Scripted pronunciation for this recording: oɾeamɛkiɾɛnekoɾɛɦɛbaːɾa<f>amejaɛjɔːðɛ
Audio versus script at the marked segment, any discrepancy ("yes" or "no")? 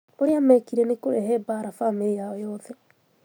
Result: no